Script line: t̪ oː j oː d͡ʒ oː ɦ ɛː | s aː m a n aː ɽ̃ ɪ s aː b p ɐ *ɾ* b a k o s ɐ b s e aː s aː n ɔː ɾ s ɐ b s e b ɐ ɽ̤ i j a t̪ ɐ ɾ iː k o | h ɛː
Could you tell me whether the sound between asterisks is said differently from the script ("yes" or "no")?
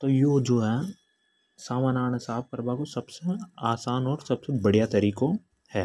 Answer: no